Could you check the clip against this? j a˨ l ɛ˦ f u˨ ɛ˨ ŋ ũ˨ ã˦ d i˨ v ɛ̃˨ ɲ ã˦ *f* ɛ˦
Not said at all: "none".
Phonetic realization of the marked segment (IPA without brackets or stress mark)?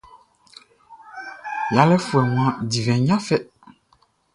f